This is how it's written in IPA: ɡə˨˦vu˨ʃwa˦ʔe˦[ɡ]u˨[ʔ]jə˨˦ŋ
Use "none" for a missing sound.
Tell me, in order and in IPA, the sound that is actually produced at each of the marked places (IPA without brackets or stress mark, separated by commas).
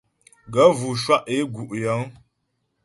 ɡ, ʔ